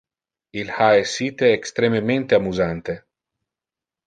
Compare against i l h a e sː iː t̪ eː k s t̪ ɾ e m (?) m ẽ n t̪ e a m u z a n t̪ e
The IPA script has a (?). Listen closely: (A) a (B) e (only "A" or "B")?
B